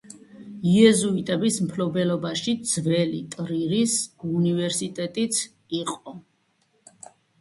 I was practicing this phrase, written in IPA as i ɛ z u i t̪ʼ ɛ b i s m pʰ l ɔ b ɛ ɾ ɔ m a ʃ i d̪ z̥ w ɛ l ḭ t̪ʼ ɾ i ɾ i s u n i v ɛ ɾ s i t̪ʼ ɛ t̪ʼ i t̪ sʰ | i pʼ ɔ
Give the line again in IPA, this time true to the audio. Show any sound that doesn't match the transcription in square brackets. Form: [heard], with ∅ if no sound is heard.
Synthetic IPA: i ɛ z u i t̪ʼ ɛ b i s m pʰ l ɔ b ɛ [l] ɔ [b] a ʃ i d̪ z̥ [v] ɛ l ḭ t̪ʼ ɾ i ɾ i s u n i v ɛ ɾ s i t̪ʼ ɛ t̪ʼ i t̪ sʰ | i [qʼ] ɔ